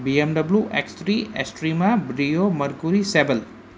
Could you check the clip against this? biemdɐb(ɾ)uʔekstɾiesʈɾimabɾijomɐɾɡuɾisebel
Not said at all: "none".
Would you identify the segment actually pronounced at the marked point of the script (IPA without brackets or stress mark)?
l